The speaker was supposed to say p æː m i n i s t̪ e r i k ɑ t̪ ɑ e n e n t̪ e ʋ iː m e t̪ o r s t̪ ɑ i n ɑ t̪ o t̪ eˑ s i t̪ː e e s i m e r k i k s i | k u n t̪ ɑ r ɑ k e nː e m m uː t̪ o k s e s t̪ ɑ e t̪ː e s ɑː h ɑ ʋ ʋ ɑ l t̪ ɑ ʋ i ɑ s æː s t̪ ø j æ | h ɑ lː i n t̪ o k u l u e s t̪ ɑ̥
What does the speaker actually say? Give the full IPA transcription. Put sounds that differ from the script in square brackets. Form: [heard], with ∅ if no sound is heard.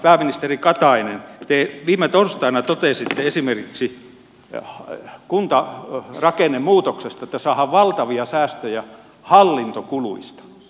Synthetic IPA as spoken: p æː m i n i s t̪ e r i k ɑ t̪ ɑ [i] n e n t̪ e ʋ iː m e t̪ o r s t̪ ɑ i n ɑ t̪ o t̪ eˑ s i t̪ː e e s i m e r k i k s i | k u n t̪ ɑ r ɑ k e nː e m m uː t̪ o k s e s t̪ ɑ e t̪ː [æ] s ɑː h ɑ ʋ ʋ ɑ l t̪ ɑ ʋ i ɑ s æː s t̪ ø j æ | h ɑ lː i n t̪ o k u l u [i] s t̪ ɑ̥